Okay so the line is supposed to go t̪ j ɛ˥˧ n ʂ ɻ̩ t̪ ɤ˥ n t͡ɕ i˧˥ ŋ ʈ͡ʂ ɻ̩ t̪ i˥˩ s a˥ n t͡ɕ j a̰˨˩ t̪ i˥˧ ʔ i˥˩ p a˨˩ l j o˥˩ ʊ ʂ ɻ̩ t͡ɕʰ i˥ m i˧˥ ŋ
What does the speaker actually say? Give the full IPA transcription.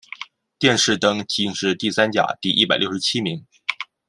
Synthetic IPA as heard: t̪ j ɛ˥˧ n ʂ ɻ̩ t̪ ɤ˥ ŋ t͡ɕ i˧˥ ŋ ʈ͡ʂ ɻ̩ t̪ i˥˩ s a˥ n t͡ɕ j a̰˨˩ t̪ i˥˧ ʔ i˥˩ p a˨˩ l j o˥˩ ʊ ʂ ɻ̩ t͡ɕʰ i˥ m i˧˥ ŋ